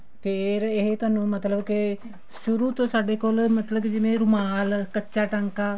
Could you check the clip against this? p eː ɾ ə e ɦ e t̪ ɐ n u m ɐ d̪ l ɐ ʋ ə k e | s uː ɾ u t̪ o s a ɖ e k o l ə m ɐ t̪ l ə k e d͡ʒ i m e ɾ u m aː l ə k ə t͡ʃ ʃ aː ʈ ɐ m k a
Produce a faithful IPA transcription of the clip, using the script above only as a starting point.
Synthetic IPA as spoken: p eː ɾ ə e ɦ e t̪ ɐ n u m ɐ t̪ l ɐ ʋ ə k e | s u ɾ u t̪ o s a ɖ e k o l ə m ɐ t̪ l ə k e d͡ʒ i m e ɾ u m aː l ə k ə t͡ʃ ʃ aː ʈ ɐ ŋ k a

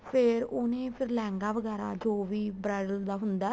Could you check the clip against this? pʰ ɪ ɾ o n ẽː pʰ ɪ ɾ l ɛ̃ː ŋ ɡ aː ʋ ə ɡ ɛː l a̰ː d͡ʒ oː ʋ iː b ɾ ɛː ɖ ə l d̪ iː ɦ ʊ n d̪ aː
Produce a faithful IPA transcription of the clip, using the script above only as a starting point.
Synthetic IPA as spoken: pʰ ɪ ɾ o n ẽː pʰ ɪ ɾ l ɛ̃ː ŋ ɡ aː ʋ ə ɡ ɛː ɾ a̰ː d͡ʒ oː ʋ iː b ɾ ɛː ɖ ə l d̪ aː ɦ ʊ n d̪ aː

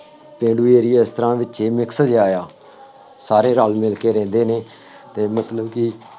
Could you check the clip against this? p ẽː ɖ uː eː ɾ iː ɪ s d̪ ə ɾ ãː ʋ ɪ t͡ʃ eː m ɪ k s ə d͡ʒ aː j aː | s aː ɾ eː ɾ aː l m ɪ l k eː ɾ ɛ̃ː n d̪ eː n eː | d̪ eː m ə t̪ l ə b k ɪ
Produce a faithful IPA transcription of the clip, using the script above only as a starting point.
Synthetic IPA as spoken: p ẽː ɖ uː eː ɾ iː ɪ s t̪ ə ɾ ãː ʋ ɪ t͡ʃ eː m ɪ k s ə d͡ʒ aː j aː | s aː ɾ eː ɾ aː l m ɪ l k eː ɾ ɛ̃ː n d̪ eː n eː | t̪ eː m ə t̪ l ə b k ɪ

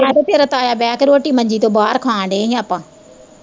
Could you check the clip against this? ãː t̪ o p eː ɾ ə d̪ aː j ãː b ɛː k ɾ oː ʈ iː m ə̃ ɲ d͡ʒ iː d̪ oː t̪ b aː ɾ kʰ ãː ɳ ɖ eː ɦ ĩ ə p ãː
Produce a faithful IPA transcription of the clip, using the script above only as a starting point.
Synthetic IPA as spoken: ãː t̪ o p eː ɾ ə t̪ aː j aː b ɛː k ɾ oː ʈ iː m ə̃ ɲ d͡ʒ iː t̪ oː b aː ɾ kʰ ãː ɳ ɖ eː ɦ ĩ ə p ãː

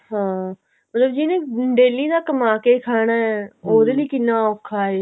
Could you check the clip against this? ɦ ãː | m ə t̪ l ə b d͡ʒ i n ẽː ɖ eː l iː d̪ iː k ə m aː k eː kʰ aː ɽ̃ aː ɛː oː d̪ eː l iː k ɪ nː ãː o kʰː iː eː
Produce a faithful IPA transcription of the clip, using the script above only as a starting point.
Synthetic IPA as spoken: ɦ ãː | m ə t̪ l ə b d͡ʒ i n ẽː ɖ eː l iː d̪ aː k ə m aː k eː kʰ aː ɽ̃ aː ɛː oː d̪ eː l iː k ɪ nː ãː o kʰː aː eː

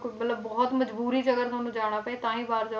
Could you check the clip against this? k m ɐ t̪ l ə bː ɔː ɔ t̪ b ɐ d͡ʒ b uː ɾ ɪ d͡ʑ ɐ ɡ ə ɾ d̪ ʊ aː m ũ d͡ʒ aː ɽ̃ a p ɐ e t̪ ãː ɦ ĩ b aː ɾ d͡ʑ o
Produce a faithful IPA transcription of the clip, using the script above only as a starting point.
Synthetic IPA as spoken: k m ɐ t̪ l ə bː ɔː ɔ t̪ m ɐ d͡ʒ b uː ɾ i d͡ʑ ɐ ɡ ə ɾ t̪ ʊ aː n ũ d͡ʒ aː ɽ̃ a p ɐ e t̪ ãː ɦ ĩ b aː ɾ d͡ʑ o

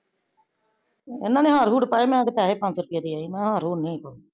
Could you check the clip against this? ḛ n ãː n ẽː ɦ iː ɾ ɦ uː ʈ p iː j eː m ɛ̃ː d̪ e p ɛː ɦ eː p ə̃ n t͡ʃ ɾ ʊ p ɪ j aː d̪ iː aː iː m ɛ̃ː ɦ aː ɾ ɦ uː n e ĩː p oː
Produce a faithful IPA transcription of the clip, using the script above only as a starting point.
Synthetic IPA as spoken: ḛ n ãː n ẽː ɦ aː ɾ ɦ uː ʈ p aː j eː m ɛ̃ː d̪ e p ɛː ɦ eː p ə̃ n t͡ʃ ɾ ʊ p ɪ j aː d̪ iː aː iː m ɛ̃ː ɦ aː ɾ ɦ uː n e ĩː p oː

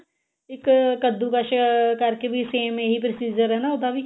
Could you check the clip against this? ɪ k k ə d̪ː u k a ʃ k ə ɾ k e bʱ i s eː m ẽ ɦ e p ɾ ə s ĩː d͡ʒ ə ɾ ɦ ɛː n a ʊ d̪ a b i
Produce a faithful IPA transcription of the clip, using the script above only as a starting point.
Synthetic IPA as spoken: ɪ k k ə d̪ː u k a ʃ k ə ɾ k e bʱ i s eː m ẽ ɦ i p ɾ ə s iː d͡ʒ ə ɾ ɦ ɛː n a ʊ d̪ a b i

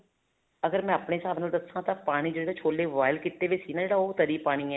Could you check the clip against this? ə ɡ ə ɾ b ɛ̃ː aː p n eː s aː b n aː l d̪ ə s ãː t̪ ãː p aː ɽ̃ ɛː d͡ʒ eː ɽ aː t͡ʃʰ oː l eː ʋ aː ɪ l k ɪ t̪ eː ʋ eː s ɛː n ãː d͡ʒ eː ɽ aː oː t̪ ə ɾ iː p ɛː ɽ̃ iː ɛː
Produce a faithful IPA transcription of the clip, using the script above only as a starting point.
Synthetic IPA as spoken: ə ɡ ə ɾ m ɛ̃ː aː p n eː s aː b n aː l d̪ ə s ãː t̪ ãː p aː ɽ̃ iː d͡ʒ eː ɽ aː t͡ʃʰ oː l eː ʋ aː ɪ l k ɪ t̪ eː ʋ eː s iː n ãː d͡ʒ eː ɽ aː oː t̪ ə ɾ iː p aː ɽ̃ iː ɛː

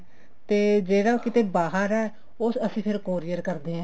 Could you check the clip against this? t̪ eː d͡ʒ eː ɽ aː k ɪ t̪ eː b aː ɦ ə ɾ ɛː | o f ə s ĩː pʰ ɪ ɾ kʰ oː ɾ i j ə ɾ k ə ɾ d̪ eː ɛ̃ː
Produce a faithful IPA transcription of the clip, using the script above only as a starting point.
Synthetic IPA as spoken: t̪ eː d͡ʒ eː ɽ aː k ɪ t̪ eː b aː ɦ ə ɾ ɛː | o s ə s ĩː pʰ ɪ ɾ k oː ɾ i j ə ɾ k ə ɾ d̪ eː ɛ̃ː

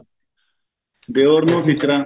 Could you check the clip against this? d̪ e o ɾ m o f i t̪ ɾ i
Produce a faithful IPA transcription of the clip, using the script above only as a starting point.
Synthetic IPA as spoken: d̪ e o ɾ n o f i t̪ ɾ a

